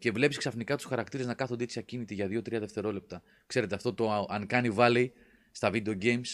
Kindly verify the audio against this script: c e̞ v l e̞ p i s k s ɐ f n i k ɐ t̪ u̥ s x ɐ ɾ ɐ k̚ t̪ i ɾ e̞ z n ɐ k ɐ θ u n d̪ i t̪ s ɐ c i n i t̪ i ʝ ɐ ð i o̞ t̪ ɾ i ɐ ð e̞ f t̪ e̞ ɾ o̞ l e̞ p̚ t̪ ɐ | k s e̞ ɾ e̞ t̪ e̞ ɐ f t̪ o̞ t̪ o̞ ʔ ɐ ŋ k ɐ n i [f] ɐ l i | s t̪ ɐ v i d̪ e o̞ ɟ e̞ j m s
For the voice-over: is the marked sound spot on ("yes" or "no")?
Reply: no